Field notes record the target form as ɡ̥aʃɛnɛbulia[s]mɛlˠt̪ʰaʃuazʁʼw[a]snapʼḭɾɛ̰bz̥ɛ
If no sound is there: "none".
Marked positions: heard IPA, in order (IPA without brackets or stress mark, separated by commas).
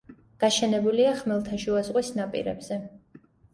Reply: χ, i